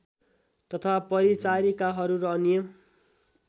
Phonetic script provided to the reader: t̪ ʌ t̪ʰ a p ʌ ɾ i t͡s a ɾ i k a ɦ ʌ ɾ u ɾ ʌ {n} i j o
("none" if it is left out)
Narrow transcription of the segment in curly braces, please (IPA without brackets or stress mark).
n